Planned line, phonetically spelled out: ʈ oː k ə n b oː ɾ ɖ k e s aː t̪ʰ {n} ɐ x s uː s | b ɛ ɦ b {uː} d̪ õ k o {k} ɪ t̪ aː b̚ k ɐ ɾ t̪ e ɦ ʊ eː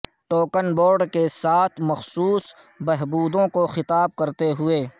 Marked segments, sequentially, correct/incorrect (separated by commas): incorrect, correct, incorrect